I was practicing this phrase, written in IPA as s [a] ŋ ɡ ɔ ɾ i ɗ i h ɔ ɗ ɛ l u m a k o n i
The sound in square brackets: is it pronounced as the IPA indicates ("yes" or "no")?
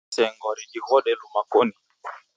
no